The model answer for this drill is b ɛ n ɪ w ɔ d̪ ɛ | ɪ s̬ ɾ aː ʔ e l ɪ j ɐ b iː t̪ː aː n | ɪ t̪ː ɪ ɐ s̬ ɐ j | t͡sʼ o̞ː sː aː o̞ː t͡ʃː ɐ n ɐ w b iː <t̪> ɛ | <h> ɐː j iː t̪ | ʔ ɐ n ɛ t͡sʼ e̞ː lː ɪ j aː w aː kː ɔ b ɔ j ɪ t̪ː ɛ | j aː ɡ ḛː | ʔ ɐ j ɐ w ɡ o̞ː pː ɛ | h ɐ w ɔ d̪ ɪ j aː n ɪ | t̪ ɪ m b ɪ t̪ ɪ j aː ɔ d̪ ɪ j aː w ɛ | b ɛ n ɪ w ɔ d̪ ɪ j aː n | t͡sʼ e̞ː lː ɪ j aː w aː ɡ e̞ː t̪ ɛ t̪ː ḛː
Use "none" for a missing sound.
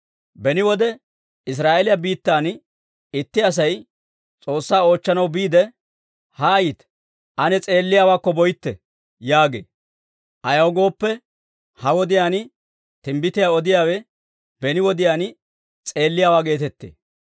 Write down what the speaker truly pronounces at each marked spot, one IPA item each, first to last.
d̪, h

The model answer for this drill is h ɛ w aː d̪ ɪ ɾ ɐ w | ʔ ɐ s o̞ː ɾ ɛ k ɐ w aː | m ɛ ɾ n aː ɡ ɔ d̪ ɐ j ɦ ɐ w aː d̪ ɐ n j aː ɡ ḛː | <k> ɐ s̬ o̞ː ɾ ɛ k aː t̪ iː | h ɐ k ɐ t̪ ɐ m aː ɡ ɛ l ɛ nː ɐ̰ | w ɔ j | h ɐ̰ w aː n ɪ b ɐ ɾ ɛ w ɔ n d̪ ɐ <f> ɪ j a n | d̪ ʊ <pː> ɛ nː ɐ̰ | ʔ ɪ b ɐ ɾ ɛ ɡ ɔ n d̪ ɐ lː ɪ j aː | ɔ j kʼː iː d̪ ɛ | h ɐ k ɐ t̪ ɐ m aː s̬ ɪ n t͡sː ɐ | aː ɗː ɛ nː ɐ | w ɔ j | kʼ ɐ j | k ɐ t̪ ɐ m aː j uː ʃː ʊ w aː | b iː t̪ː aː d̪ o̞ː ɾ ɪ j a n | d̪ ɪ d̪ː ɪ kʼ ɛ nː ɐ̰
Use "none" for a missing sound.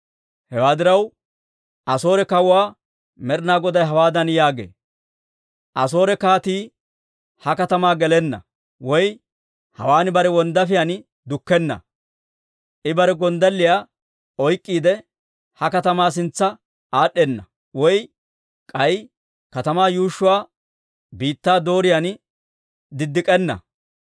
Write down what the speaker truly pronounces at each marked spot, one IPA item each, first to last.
ʔ, f, kː

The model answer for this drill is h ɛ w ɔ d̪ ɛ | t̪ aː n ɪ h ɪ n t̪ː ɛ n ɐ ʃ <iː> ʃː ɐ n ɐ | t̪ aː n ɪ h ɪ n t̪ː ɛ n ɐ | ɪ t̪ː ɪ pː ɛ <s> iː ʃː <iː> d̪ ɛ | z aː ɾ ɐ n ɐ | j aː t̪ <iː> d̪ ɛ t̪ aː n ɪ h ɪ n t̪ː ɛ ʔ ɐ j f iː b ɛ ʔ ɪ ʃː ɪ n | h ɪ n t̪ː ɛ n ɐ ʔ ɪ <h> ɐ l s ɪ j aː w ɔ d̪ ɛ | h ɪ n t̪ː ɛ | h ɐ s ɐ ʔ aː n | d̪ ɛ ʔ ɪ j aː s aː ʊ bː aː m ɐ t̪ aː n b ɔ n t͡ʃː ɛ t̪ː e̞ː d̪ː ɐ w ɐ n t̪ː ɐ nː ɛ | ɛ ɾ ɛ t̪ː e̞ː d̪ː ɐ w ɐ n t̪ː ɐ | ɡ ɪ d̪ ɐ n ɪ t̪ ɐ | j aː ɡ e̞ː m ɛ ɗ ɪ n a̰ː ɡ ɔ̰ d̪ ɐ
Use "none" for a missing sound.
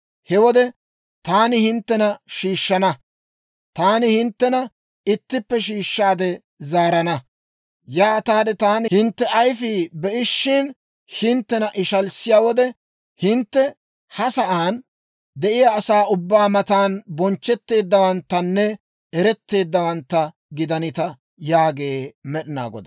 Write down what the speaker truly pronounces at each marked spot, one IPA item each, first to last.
iː, ʃ, aː, aː, ʃ

